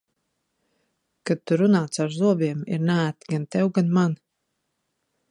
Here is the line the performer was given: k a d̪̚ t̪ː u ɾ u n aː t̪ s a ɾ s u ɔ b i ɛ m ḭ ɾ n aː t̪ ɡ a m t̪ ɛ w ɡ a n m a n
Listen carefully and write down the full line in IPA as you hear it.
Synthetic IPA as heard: k a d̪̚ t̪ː u ɾ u n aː t̪ s a ɾ z u ɔ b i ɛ m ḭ ɾ n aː t̪ ɡ a n t̪ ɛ w ɡ a n m a n